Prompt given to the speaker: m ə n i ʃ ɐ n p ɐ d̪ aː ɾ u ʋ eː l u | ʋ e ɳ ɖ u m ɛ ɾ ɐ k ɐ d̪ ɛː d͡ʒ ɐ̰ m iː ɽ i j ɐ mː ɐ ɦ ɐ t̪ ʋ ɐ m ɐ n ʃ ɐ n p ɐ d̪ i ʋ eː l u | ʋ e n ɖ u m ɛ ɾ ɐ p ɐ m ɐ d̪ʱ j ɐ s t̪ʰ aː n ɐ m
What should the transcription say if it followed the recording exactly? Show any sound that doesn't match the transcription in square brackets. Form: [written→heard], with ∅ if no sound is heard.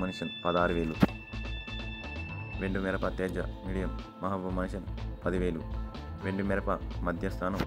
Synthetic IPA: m [ə→ɐ] n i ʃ ɐ n p ɐ d̪ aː ɾ u ʋ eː l u | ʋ e ɳ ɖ u m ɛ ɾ ɐ [k→p] ɐ [d̪→t̪] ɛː d͡ʒ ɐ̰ m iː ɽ i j ɐ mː ɐ ɦ ɐ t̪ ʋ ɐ m ɐ n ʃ ɐ n p ɐ d̪ i ʋ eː l u | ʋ e [n→ɳ] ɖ u m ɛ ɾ ɐ p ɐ m ɐ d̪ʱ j ɐ s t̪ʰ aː n ɐ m